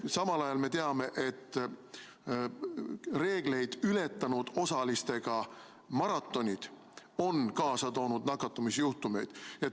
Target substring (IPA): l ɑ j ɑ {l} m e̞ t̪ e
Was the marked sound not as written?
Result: no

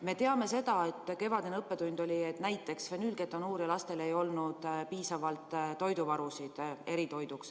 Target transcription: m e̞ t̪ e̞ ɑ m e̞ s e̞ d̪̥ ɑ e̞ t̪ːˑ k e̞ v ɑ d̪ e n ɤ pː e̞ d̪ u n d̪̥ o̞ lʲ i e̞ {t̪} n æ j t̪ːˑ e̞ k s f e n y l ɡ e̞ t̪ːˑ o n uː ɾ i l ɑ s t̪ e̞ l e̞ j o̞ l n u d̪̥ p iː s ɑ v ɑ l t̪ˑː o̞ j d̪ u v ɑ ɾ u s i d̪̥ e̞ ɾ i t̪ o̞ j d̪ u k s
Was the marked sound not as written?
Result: no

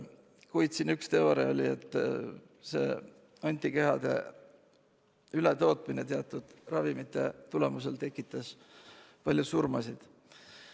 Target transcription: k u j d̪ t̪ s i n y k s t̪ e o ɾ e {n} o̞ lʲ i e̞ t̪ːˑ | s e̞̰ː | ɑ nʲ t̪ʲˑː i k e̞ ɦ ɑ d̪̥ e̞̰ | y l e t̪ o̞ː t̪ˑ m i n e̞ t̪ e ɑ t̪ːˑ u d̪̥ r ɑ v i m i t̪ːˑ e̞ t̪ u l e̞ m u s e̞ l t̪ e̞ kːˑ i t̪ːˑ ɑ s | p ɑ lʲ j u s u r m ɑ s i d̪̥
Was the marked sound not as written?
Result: yes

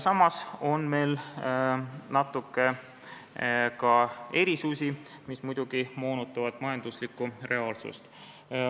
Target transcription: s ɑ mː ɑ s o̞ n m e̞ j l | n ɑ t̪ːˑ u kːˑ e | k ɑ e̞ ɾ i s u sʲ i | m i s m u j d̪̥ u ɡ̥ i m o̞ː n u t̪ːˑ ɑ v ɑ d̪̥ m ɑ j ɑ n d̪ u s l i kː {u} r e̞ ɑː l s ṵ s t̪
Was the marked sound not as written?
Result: no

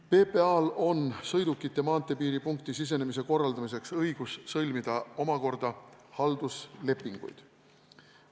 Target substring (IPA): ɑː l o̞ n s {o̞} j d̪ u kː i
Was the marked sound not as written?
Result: yes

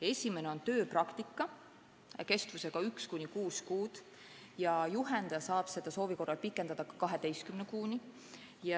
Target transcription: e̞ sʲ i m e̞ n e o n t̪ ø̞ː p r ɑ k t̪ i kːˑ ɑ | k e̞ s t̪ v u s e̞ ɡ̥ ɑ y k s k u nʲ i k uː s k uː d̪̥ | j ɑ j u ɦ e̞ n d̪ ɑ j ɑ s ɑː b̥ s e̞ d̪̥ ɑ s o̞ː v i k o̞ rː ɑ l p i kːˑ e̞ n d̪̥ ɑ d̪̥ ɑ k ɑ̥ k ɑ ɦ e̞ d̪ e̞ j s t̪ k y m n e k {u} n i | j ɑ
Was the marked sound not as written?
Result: yes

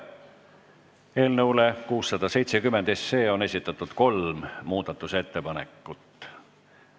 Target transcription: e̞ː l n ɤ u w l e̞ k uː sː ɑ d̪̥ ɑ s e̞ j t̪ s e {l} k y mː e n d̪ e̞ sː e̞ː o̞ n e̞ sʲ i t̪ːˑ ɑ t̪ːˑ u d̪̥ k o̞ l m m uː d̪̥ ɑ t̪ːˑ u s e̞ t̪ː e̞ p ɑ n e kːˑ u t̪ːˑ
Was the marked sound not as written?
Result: yes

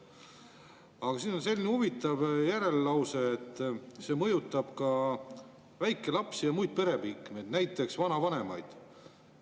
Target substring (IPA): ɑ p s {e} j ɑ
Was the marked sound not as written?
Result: yes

